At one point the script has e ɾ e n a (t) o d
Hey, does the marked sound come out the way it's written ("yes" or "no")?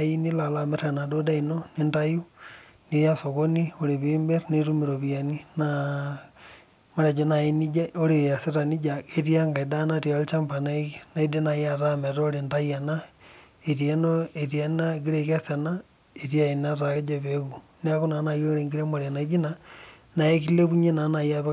no